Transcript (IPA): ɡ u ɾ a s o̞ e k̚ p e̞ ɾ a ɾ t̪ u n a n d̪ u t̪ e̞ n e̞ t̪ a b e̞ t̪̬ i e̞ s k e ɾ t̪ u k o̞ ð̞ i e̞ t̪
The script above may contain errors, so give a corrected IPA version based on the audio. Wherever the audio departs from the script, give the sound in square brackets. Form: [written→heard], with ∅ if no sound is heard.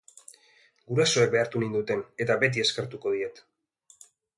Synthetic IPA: ɡ u ɾ a s o̞ e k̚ [p→b] e̞ [ɾ→∅] a ɾ t̪ u n [a→i] n d̪ u t̪ e̞ n e̞ t̪ a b e̞ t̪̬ i e̞ s k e ɾ t̪ u k o̞ ð̞ i e̞ t̪